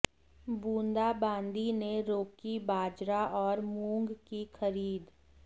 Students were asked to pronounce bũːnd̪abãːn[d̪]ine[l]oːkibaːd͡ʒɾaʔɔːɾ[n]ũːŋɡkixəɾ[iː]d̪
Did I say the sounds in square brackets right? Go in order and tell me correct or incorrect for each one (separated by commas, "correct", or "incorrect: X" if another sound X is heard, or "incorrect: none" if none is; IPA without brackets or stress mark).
correct, incorrect: ɾ, incorrect: m, correct